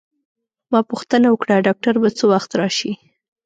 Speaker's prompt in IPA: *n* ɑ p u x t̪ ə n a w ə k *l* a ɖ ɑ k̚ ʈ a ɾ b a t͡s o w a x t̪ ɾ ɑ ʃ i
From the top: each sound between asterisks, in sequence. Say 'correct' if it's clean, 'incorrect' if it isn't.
incorrect: m, incorrect: ɽ

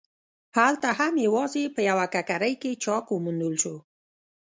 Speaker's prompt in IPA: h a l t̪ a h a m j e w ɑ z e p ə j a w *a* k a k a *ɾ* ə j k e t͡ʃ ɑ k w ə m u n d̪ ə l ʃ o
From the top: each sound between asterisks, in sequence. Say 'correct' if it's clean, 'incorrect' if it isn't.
correct, correct

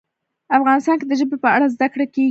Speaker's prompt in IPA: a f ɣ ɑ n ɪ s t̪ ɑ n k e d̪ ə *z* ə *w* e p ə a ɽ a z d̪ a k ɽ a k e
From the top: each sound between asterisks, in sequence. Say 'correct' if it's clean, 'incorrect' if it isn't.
incorrect: ʒ, incorrect: b

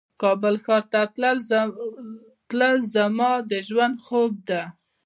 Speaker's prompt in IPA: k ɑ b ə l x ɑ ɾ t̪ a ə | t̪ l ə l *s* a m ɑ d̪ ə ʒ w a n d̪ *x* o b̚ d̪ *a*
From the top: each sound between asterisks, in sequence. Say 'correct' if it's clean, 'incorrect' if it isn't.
incorrect: z, correct, correct

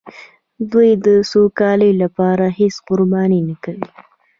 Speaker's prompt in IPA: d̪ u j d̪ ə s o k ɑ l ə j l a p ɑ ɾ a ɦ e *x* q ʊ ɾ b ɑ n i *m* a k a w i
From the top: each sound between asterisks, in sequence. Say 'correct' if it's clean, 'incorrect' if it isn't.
incorrect: s, incorrect: n

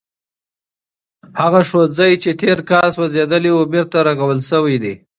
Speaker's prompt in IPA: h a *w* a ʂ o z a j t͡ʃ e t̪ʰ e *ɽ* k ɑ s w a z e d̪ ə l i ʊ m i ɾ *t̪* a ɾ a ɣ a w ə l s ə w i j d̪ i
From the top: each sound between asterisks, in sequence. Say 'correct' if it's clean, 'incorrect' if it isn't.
incorrect: ɣ, incorrect: ɾ, correct

